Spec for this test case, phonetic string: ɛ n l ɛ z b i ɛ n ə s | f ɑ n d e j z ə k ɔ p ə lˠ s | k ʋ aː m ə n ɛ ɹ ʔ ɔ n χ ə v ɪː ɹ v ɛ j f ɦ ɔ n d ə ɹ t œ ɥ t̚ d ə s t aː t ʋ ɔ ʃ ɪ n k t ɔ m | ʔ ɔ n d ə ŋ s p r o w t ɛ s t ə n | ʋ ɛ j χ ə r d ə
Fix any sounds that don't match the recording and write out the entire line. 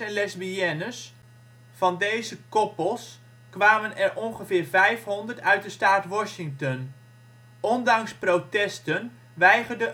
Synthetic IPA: ɛ n l ɛ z b i ɛ n ə s | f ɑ n d e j z ə k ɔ p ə lˠ s | k ʋ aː m ə n ɛ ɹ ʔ ɔ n χ ə v ɪː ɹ v ɛ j f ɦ ɔ n d ə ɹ t œ ɥ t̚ d ə s t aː t ʋ ɔ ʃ ɪ ŋ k t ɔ n | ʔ ɔ n d ɑ ŋ s p r o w t ɛ s t ə n | ʋ ɛ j χ ə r d ə